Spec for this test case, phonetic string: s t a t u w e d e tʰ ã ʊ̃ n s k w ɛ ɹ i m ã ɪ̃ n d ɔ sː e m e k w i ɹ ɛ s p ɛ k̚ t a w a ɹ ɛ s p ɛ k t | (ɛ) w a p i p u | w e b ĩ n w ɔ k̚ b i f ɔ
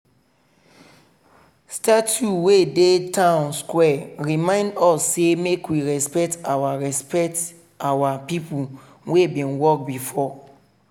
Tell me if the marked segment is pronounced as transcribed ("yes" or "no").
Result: no